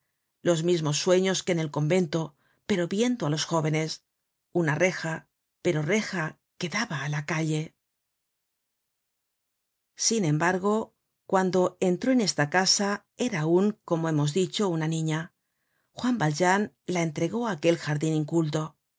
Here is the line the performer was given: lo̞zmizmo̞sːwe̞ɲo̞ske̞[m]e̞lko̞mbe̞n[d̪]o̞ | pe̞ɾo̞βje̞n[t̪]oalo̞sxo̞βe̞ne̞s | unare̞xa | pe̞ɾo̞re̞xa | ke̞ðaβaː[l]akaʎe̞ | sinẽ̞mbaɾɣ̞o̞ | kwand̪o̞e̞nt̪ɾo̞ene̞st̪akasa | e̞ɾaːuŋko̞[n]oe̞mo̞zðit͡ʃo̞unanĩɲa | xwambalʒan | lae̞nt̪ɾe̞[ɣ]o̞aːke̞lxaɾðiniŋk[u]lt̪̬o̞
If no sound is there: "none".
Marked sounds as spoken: n, t̪, d̪, l, m, ɣ, u

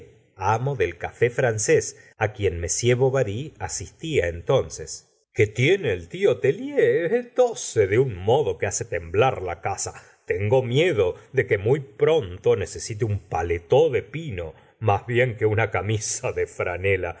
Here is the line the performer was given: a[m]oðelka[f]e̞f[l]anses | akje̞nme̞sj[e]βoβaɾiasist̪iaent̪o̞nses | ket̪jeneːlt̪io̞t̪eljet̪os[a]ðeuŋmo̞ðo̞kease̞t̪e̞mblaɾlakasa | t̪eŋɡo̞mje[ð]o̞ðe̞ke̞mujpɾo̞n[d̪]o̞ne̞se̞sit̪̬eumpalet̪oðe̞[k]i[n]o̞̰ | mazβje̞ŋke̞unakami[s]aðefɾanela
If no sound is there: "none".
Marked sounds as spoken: m, f, ɾ, e, e, ð, t̪, p, n, s

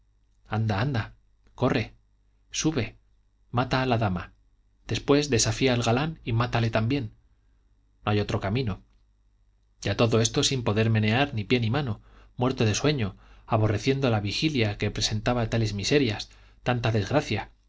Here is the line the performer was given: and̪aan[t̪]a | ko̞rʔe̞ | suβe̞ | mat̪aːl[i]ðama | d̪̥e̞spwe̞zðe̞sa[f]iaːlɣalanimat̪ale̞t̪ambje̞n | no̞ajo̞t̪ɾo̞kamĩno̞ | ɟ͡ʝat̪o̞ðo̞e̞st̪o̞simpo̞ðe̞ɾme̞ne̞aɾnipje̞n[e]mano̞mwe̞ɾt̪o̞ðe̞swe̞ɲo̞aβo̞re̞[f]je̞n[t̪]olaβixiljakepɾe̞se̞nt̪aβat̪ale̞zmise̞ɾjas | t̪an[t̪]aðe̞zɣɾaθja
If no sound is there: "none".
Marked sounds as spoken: d̪, a, f, i, θ, d̪, t̪

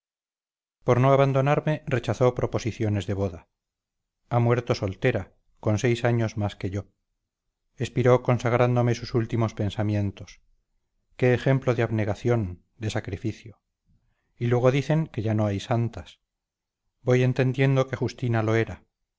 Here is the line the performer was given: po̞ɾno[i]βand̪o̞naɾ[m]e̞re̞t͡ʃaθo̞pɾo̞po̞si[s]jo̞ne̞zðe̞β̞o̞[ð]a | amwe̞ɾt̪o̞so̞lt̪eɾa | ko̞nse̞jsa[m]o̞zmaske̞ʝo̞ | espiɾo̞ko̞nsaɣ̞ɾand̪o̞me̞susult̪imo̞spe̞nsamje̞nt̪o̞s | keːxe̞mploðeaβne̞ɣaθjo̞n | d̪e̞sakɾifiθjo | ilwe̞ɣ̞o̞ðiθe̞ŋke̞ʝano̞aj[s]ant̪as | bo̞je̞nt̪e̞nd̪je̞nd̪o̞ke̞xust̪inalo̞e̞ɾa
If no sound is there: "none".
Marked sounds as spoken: a, m, θ, ð, ɲ, s

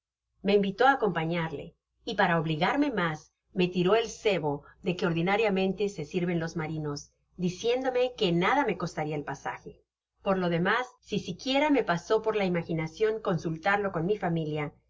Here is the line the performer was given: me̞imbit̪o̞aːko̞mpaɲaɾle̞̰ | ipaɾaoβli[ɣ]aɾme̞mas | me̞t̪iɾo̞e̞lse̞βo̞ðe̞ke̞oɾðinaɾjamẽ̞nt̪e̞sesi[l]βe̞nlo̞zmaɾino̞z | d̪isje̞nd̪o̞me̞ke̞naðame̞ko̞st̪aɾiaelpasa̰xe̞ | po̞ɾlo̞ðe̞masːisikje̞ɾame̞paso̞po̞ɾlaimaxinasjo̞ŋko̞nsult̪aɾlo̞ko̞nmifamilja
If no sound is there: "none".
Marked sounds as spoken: ɣ, ɾ

